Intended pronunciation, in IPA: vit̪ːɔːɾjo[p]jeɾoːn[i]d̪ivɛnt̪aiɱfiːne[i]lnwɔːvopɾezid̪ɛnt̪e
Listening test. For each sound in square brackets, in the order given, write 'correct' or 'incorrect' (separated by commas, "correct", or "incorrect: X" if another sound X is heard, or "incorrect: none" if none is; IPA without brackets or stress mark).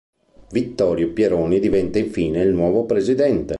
correct, correct, correct